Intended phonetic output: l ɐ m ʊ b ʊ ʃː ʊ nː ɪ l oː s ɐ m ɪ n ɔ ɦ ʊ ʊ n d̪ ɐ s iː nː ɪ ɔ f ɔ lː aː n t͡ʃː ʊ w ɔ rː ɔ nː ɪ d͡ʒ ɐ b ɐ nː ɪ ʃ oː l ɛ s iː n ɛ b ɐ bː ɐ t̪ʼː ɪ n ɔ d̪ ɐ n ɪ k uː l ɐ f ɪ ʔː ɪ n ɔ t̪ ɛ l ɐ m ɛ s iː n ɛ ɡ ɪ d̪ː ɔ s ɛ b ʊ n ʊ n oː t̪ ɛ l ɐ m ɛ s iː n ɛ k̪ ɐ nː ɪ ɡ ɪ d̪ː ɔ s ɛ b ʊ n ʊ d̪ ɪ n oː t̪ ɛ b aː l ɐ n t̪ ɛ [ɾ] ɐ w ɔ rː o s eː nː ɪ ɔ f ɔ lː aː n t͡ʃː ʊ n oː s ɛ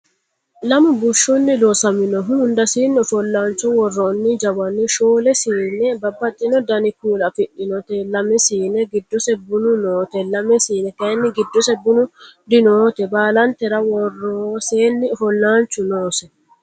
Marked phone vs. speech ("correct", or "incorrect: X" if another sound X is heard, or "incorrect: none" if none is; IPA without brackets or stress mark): correct